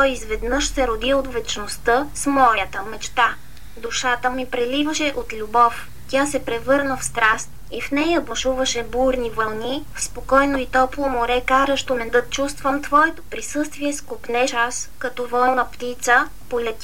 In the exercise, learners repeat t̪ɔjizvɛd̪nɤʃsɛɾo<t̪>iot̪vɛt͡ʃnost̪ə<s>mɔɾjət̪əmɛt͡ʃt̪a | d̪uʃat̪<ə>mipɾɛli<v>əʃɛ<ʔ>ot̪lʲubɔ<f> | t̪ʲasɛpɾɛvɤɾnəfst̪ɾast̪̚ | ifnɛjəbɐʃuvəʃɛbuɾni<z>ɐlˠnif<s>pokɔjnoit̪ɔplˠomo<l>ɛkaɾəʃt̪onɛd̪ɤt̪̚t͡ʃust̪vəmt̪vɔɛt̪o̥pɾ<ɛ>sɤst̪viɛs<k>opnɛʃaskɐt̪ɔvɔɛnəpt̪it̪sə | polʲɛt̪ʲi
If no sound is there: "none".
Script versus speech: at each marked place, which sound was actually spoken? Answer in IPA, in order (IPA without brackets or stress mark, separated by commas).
d̪, s, ə, v, ʔ, f, v, s, ɾ, i, k